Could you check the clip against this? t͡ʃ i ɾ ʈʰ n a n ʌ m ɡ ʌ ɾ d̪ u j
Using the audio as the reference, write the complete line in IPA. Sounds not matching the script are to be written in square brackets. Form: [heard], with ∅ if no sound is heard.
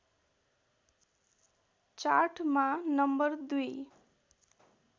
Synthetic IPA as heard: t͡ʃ [a] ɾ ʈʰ [m] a n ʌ m [b] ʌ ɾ d̪ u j